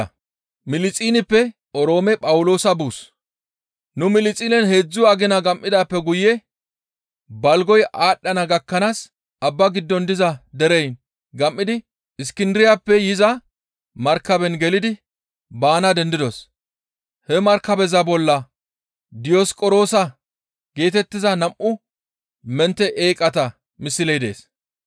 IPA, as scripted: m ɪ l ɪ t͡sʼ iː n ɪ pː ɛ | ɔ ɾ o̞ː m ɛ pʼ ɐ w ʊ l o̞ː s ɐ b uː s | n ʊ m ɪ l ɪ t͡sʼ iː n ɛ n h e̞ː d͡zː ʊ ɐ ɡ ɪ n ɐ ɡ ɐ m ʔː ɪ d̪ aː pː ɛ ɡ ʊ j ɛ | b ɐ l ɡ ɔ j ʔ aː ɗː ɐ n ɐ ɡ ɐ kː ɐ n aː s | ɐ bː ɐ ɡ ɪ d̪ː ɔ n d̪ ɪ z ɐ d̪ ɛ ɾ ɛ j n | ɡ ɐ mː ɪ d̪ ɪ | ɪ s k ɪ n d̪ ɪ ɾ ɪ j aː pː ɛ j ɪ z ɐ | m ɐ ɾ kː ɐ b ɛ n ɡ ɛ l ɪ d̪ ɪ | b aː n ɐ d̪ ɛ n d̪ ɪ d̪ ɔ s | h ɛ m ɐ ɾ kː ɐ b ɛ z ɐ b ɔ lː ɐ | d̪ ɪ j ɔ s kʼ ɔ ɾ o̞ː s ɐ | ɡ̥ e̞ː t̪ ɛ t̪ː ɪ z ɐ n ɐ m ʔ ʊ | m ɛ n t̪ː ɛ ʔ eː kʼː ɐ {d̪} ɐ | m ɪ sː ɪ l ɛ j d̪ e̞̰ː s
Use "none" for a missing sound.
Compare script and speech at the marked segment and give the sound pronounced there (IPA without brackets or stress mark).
t̪